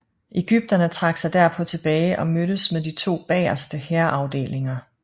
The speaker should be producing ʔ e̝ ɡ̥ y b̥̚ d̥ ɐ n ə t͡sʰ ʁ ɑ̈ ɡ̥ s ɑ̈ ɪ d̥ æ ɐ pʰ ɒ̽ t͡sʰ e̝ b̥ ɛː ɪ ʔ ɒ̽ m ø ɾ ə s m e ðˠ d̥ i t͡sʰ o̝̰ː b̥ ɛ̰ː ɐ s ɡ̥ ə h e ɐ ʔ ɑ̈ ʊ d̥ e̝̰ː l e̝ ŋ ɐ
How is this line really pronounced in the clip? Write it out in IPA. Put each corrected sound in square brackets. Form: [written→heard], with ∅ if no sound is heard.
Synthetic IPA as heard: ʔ e̝ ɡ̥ y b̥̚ d̥ ɐ n ə t͡sʰ ʁ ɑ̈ ɡ̥ s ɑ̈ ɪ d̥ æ ɐ pʰ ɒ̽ t͡sʰ e̝ b̥ ɛː ɪ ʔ ɒ̽ m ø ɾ ə s m e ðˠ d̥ i t͡sʰ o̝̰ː b̥ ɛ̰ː ɐ s [ɡ̥→d̥] ə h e ɐ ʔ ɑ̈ ʊ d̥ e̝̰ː l e̝ ŋ ɐ